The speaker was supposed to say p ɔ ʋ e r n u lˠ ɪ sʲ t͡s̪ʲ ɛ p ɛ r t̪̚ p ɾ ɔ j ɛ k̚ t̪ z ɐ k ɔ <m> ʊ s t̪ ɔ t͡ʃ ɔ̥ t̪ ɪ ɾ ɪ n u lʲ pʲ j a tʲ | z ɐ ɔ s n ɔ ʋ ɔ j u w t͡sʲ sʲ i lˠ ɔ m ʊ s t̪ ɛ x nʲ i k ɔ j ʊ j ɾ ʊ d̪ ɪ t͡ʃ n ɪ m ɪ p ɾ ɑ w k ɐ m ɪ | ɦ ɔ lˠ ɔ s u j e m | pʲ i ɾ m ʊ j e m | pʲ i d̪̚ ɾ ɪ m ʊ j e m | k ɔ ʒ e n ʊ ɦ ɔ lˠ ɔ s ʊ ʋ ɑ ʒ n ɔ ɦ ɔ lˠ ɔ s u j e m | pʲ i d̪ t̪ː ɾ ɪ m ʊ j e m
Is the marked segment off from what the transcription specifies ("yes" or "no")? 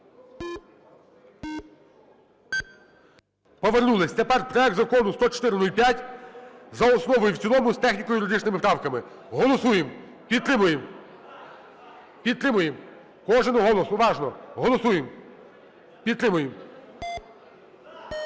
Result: yes